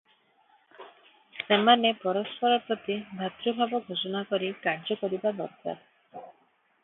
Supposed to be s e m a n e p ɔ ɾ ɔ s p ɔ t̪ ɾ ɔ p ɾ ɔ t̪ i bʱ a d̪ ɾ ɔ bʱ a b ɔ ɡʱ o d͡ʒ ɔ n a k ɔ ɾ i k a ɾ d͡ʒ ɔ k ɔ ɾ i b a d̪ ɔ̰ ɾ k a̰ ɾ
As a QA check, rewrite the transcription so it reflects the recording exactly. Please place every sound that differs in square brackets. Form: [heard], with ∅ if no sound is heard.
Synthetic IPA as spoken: s e m a n e p ɔ ɾ ɔ s p ɔ [∅] ɾ ɔ p ɾ ɔ t̪ i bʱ a [t̪] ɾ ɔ bʱ a b ɔ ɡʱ o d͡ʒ ɔ n a k ɔ ɾ i k a ɾ d͡ʒ ɔ k ɔ ɾ i b a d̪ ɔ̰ ɾ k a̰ ɾ